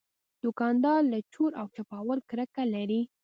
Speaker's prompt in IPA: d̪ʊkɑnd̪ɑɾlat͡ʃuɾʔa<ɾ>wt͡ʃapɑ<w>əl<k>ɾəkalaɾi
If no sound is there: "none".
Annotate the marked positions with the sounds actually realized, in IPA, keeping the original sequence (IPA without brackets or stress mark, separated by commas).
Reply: none, w, k